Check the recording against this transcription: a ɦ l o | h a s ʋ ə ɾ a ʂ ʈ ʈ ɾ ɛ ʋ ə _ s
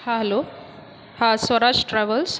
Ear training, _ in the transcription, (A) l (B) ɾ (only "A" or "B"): A